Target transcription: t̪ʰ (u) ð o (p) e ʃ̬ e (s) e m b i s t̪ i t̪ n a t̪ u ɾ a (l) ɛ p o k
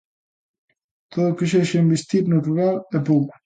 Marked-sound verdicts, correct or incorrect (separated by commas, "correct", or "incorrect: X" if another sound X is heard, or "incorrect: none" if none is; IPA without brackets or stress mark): incorrect: o, incorrect: k, incorrect: ʃ, correct